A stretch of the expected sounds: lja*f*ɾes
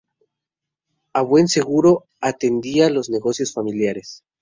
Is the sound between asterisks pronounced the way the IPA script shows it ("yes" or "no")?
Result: no